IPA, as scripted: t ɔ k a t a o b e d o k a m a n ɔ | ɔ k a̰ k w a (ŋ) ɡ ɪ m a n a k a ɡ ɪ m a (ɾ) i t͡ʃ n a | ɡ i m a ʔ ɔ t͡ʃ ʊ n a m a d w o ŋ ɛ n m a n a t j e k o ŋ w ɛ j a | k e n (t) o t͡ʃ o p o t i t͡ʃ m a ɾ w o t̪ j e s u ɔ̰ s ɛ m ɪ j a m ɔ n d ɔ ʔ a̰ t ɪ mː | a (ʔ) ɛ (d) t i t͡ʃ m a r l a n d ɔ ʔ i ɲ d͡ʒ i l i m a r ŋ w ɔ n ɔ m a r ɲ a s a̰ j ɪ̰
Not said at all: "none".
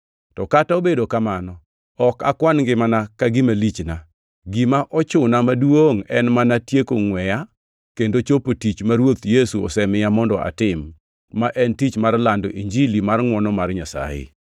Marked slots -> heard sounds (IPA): n, l, d, ʔ, n

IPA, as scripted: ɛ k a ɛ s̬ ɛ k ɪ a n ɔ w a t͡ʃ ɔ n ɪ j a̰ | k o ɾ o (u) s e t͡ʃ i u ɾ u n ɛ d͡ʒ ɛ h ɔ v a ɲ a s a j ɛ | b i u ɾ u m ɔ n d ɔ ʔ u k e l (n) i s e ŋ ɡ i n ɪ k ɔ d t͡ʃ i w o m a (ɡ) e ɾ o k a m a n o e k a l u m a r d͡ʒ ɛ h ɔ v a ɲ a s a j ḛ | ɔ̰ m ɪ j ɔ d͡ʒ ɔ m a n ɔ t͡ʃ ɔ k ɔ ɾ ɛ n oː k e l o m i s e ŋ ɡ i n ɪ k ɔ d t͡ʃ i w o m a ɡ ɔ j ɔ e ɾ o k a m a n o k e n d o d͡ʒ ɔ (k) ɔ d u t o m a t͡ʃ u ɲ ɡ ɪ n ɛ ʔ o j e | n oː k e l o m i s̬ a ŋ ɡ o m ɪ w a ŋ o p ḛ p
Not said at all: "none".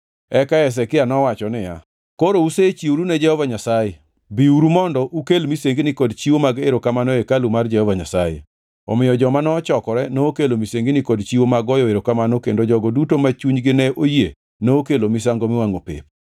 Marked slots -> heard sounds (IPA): u, m, ɡ, ɡ

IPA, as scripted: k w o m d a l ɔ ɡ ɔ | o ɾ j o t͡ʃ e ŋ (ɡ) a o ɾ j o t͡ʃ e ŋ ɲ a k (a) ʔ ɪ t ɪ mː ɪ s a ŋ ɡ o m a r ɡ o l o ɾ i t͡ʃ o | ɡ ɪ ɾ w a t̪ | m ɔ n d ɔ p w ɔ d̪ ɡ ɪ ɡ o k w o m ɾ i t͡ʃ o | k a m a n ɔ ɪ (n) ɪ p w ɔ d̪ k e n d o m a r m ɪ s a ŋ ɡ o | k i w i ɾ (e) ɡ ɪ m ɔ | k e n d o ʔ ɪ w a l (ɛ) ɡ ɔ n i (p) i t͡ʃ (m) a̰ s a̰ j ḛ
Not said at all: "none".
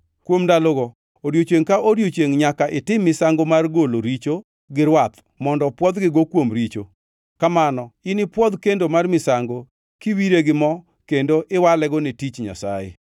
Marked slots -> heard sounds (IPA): k, a, n, e, ɛ, t, ɲ

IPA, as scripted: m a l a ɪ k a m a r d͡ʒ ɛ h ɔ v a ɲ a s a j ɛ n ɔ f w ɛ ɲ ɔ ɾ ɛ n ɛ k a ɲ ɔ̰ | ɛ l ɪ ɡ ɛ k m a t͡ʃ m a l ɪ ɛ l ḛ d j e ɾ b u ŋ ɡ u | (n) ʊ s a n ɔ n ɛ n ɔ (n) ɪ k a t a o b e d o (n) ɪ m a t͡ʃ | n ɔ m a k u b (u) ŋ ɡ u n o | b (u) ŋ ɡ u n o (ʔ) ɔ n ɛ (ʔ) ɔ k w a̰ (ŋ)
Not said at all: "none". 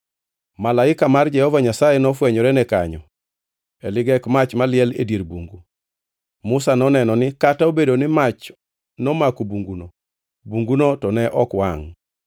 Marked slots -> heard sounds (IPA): m, n, n, u, u, t, ʔ, ŋ

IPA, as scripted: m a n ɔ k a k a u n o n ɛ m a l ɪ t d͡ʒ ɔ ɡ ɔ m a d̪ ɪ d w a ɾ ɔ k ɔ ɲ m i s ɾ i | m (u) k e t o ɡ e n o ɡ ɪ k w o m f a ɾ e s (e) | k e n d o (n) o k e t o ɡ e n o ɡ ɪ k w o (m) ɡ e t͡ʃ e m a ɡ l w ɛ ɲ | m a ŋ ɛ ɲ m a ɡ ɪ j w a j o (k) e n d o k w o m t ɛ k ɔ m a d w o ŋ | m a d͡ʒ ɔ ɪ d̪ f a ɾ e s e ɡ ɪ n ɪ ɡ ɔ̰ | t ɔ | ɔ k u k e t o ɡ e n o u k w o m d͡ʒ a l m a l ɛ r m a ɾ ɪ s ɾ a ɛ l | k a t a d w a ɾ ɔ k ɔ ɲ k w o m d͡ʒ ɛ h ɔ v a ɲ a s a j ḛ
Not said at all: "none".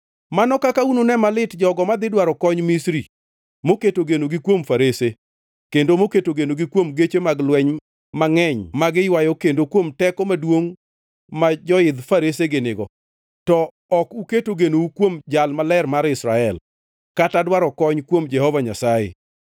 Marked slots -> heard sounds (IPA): o, e, m, m, k

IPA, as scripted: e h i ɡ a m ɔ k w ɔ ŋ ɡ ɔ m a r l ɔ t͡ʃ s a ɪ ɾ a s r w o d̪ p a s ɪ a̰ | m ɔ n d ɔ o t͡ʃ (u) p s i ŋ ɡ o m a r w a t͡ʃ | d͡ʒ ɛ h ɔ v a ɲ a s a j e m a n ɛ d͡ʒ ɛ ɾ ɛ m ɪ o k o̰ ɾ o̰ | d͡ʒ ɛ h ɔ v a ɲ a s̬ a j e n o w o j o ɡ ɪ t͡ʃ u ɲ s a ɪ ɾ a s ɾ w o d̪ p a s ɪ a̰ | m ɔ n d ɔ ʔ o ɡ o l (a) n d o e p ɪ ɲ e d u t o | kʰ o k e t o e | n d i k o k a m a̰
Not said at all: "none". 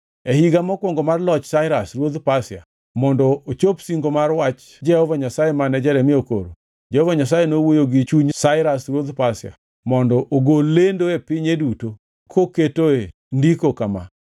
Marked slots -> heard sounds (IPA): o, e

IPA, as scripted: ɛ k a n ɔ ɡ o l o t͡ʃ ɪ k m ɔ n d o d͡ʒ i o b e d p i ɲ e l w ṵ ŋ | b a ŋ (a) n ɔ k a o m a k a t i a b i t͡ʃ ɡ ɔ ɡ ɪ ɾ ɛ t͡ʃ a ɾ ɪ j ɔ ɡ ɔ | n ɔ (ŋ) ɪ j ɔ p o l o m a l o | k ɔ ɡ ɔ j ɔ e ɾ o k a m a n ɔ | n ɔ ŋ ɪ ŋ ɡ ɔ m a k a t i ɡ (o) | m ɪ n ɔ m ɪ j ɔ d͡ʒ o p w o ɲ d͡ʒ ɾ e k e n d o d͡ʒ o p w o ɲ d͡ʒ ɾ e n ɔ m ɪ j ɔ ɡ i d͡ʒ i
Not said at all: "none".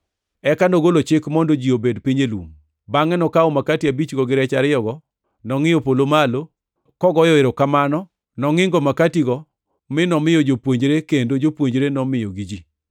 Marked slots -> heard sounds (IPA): ɛ, ŋ, ɔ

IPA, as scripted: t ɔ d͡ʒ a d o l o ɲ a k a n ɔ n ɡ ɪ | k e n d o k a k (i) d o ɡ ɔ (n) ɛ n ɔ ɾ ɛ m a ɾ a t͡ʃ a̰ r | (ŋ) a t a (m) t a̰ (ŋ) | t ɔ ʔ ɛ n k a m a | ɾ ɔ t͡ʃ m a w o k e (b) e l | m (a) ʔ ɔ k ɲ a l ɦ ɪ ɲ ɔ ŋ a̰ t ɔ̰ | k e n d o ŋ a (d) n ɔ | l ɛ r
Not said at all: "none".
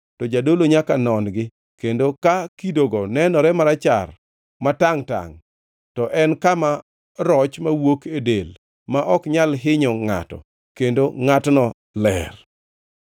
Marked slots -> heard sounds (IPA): i, n, m, ŋ, ŋ, d, a, t

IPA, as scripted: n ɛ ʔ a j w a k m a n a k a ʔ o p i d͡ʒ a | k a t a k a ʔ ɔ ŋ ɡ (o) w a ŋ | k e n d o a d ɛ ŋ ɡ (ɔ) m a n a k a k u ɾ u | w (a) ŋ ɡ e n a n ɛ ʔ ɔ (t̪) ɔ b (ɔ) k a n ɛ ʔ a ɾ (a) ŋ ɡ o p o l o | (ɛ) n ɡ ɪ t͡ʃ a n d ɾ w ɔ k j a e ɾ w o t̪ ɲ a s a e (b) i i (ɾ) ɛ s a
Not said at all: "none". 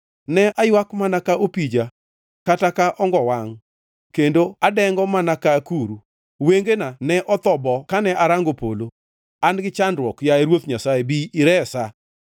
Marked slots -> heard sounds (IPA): ɔ, ɔ, e, t̪, ɔ, a, a, b, ɾ

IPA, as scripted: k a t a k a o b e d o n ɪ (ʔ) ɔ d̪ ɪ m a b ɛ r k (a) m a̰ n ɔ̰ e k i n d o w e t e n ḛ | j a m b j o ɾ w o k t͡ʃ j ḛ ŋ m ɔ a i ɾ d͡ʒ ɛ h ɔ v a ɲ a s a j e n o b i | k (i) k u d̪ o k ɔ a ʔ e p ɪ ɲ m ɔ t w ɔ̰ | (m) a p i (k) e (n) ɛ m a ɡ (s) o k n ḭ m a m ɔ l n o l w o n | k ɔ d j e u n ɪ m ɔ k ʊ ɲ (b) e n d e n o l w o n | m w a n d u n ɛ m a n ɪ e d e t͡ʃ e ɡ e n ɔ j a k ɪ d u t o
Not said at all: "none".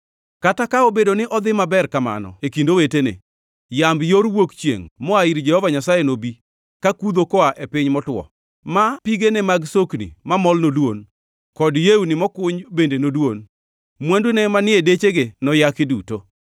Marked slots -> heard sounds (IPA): ʔ, a, a, m, ɡ, n, s, b

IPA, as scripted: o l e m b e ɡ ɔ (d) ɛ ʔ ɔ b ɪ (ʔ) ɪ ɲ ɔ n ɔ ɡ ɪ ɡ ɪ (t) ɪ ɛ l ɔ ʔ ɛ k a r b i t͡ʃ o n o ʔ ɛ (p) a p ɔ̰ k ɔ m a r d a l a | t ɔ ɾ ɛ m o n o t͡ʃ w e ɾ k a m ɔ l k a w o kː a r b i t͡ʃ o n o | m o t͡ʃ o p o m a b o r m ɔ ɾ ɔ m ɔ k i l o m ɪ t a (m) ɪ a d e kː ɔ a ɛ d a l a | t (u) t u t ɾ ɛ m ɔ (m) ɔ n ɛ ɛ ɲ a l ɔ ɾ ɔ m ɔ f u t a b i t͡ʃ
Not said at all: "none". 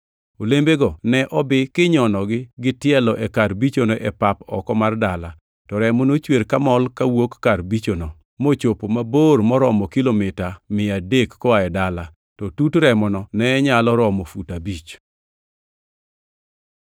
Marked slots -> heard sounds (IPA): n, k, t, p, m, ɔ, n

